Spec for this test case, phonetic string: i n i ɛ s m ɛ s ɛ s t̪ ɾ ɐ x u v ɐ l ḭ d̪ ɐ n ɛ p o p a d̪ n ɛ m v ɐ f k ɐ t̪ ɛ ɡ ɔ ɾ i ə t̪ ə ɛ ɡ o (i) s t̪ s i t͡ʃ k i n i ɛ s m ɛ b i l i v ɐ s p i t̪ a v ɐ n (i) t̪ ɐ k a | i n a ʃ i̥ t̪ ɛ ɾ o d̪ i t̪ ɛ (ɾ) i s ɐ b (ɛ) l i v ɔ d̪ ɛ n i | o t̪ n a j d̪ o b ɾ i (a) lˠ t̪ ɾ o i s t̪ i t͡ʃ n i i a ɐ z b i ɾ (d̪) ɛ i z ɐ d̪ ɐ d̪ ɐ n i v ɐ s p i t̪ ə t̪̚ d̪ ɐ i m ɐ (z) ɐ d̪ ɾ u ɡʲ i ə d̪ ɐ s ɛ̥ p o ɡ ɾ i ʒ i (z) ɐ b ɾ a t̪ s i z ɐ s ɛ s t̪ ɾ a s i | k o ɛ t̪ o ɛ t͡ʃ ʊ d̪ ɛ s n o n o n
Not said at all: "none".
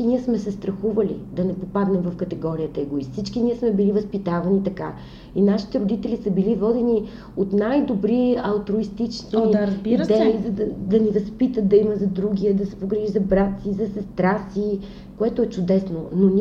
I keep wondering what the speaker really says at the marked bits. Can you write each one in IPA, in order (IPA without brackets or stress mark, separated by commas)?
i, i, l, i, ɐ, d̪, z, z